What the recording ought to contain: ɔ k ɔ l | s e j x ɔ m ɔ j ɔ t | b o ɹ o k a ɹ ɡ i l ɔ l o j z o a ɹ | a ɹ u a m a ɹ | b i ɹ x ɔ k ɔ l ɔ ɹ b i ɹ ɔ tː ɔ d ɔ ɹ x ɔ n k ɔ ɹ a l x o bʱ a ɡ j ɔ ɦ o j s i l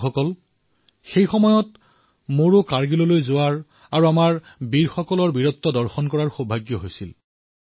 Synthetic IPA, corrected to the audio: ɔ k ɔ l | x e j x ɔ m ɔ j ɔ t | m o ɹ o k a ɹ ɡ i l ɔ l o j z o a ɹ | a ɹ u a m a ɹ | b i ɹ x ɔ k ɔ l ɔ ɹ b i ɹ ɔ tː ɔ d ɔ ɹ x ɔ n k ɔ ɹ a ɹ x o bʱ a ɡ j ɔ ɦ o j s i l